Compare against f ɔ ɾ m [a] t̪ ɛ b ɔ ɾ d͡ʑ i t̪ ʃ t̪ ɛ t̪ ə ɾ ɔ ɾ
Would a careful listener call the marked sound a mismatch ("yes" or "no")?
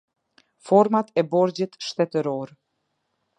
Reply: no